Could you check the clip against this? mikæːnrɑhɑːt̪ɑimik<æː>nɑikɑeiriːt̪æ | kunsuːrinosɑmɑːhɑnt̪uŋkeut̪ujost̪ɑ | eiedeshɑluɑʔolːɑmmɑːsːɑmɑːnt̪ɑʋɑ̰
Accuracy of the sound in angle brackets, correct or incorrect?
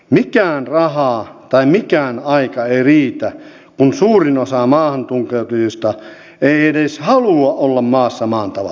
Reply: correct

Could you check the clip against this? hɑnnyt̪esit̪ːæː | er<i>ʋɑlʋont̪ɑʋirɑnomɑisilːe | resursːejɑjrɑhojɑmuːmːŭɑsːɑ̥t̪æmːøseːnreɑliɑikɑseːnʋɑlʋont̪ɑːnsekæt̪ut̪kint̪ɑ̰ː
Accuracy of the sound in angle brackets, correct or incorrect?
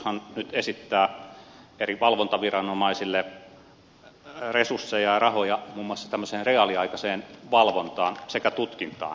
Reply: correct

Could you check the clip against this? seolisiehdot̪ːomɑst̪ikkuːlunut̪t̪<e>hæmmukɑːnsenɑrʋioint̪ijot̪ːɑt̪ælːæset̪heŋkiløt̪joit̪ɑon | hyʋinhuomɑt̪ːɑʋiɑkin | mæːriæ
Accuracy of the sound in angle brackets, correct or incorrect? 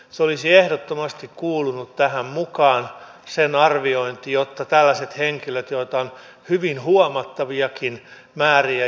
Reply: incorrect: æ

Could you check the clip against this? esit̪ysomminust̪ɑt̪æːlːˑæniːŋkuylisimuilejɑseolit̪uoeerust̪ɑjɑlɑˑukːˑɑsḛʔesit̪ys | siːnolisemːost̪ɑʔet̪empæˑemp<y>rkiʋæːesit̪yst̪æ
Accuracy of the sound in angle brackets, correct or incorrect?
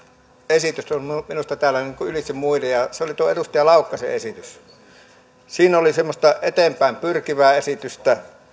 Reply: correct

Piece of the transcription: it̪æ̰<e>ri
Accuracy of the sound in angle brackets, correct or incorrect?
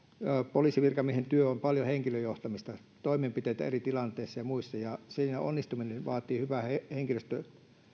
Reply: correct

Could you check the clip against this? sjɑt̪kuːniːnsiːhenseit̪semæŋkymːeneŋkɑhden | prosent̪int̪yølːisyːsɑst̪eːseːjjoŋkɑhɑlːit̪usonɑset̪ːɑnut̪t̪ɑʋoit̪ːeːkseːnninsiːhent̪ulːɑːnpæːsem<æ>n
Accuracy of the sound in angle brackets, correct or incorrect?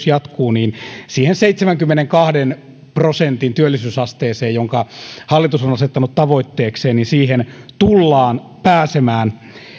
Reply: incorrect: æː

